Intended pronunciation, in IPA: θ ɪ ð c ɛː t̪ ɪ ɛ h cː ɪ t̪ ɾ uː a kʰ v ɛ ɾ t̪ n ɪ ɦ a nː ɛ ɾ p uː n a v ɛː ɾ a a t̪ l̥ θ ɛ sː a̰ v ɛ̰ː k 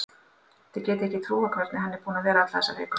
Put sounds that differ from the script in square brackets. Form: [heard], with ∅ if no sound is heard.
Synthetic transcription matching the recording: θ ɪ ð c ɛː t̪ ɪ ɛ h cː ɪ [t̪ʰ] ɾ uː a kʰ v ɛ ɾ t̪ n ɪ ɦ a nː ɛ ɾ p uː n a v ɛː ɾ a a t̪ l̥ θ ɛ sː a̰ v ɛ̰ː k